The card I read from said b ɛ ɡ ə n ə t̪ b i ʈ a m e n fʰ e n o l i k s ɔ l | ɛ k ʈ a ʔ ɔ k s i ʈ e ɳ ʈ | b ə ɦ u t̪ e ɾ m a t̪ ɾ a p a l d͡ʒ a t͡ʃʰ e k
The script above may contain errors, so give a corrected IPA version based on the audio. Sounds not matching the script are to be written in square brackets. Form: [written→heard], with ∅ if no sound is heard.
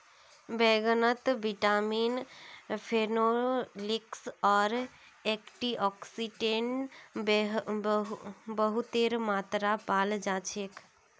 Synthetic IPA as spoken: b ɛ ɡ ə n ə t̪ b i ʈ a m [e→i] n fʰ e n o l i k s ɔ [l→ɾ] | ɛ k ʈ [a→i] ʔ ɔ k s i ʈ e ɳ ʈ | b ə ɦ u t̪ e ɾ m a t̪ ɾ a p a l d͡ʒ a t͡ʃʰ e k